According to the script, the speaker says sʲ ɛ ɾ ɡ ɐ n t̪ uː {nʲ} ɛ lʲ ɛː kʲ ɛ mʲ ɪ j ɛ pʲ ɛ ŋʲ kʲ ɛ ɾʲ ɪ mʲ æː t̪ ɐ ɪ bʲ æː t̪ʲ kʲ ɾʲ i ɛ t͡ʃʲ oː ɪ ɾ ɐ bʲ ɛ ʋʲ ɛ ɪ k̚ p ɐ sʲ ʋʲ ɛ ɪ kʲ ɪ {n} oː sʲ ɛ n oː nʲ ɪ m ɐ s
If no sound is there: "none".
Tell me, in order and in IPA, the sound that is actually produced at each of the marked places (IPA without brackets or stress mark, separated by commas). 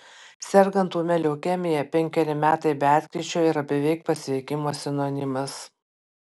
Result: mʲ, m